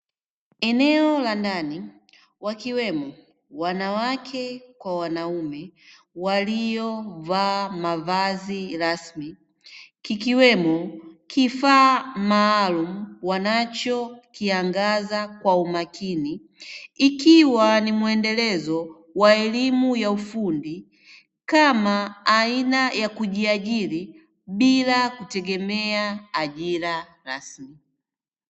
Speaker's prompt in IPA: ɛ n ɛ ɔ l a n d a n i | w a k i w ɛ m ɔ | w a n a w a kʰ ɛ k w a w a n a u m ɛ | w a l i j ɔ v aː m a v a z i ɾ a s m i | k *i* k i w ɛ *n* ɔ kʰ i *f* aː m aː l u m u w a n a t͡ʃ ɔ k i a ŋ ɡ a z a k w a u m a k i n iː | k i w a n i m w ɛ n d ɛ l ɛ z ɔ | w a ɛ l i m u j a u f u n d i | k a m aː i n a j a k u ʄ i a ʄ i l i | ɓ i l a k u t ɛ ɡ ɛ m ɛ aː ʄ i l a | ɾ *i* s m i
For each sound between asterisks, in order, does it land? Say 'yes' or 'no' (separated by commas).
yes, no, yes, no